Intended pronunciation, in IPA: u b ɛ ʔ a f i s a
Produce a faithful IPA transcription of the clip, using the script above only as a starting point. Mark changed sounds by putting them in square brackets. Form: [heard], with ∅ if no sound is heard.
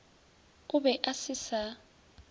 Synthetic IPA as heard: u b ɛ ʔ a [s] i s a